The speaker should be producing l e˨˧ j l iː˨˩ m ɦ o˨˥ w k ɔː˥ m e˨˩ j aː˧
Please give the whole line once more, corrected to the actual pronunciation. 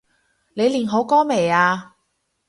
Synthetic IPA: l e˨˧ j l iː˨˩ n ɦ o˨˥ w k ɔː˥ m e˨˩ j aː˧